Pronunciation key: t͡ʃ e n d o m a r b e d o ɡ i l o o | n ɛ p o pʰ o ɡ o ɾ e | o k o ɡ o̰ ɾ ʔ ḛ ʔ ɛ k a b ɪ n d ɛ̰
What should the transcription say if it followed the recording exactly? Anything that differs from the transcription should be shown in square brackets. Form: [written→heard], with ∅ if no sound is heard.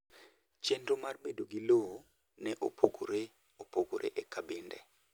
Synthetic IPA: t͡ʃ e n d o m a r b e d o ɡ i l o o | n ɛ [p→ʔ] o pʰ o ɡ o ɾ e | o [k→p] o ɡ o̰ ɾ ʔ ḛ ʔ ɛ k a b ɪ n d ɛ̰

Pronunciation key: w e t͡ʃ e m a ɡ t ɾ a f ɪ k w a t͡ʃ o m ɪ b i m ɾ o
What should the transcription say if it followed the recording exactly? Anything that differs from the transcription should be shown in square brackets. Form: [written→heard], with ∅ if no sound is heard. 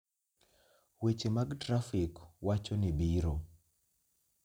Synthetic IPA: w e t͡ʃ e m a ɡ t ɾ a f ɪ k w a t͡ʃ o [m→n] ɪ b i [m→∅] ɾ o

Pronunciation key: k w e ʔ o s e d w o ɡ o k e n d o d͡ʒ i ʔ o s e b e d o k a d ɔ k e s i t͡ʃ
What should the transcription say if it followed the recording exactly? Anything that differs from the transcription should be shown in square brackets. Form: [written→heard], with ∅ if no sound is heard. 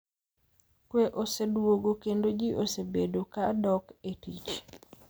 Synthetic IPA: k w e ʔ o s e d w o ɡ o k e n d o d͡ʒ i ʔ o s e b e d o k a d ɔ k e [s→t] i t͡ʃ

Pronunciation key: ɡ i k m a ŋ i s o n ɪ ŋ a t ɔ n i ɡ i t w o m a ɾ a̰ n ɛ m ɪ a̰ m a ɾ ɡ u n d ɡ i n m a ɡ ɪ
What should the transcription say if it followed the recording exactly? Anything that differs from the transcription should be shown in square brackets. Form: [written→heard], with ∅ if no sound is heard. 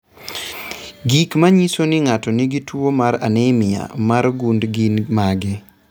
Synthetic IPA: ɡ i k m a [ŋ→ɲ] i s o n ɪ ŋ a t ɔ n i ɡ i t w o m a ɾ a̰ n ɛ m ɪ a̰ m a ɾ ɡ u n d ɡ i n m a ɡ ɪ

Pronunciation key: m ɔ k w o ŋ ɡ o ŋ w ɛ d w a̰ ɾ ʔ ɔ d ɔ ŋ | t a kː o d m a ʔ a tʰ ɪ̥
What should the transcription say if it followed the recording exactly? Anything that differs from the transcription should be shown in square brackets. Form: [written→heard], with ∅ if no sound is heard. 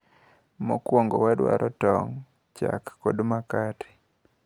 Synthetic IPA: m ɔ k w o ŋ ɡ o [ŋ→∅] w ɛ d w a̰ ɾ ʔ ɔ [d→t] ɔ ŋ | [t→t͡ʃ] a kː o d m a [ʔ→k] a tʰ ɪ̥

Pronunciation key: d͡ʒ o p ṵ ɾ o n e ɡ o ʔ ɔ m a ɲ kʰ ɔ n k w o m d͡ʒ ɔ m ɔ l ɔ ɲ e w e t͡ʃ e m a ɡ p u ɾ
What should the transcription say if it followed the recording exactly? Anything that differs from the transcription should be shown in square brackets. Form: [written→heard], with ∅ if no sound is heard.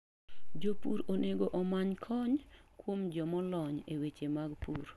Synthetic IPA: d͡ʒ o p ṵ ɾ o n e ɡ o ʔ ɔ m a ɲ kʰ ɔ [n→ɲ] k w o m d͡ʒ ɔ m ɔ l ɔ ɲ e w e t͡ʃ e m a ɡ p u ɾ

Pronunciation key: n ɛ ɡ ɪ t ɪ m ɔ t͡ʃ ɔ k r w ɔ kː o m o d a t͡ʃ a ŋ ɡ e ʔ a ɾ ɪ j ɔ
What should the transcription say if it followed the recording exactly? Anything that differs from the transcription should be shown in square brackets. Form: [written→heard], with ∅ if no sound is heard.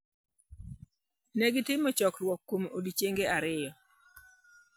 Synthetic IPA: n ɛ ɡ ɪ t ɪ m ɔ t͡ʃ ɔ k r w ɔ kː o m o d [a→i] t͡ʃ [a→e] ŋ ɡ e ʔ a ɾ ɪ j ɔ

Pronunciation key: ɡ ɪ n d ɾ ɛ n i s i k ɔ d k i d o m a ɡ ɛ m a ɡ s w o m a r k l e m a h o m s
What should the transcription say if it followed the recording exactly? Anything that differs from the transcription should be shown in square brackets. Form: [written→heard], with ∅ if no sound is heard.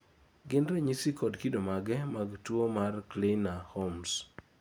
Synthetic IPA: ɡ ɪ n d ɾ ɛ [n→ɲ] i s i k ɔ d k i d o m a ɡ ɛ m a ɡ [s→t] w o m a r k l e [m→n] a h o m s

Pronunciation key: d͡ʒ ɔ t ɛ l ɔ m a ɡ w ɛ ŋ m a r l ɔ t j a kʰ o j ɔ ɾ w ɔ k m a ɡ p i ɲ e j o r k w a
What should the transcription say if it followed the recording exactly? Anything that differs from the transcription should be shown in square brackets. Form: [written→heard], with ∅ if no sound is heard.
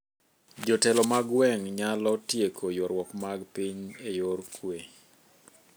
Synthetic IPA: d͡ʒ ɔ t ɛ l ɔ m a ɡ w ɛ ŋ [m→ɲ] a [r→∅] l ɔ t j [a→e] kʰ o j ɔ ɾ w ɔ k m a ɡ p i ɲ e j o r k w [a→e]

